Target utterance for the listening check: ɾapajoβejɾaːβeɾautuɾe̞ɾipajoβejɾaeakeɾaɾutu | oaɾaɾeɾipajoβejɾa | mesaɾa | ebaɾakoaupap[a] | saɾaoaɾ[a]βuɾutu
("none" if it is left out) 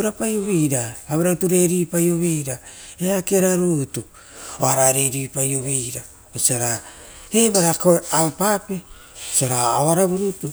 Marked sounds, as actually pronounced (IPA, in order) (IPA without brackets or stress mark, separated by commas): e, a